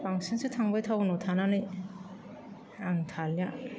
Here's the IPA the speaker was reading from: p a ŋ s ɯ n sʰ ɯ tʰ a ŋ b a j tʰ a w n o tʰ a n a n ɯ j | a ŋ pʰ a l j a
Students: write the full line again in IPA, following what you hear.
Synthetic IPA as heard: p a ŋ s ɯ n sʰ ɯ tʰ a ŋ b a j tʰ a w n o tʰ a n a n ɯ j | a ŋ tʰ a l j a